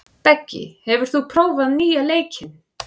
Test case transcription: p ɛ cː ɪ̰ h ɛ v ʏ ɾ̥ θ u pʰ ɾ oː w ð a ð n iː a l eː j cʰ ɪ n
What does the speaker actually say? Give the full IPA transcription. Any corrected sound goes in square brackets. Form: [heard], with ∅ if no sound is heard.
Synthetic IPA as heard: p ɛ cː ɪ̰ h ɛ v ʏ ɾ̥ θ u pʰ ɾ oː w [v] a ð n iː a l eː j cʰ ɪ n